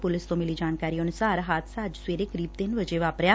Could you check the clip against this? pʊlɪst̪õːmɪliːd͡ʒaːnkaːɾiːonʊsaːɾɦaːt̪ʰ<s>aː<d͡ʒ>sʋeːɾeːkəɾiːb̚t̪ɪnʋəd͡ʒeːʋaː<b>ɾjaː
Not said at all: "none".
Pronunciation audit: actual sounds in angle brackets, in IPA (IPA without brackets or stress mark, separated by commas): s, d͡ʒ, p